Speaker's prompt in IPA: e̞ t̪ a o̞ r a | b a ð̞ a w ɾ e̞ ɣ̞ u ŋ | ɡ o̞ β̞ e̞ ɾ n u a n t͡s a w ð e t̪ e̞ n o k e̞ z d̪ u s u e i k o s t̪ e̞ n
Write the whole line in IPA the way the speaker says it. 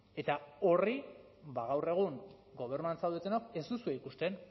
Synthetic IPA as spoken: e̞ t̪ a o̞ r i | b a ɣ̞ a w r e̞ ɣ̞ u ŋ | ɡ o̞ β̞ e̞ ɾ n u a n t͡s a w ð e t̪ e̞ n o k e̞ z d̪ u s u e i k u s t̪ e̞ n